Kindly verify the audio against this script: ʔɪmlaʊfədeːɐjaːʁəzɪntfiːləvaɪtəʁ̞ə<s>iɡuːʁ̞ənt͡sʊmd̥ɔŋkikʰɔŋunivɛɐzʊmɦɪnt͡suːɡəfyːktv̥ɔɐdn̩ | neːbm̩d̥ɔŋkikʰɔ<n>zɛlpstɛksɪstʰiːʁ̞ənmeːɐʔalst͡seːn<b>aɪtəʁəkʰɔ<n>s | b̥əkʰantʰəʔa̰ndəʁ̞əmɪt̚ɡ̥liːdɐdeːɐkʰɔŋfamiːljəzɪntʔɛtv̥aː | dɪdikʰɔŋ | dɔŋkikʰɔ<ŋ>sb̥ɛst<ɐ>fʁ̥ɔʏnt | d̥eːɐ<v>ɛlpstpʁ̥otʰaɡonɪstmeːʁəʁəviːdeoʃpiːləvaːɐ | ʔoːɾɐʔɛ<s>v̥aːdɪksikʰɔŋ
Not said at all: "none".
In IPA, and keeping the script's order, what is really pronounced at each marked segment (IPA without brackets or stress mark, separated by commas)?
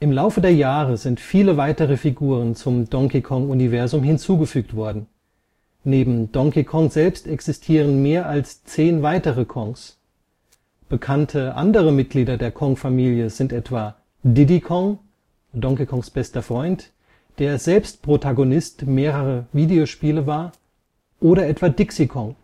f, ŋ, v, ŋ, ŋ, ɐ, z, t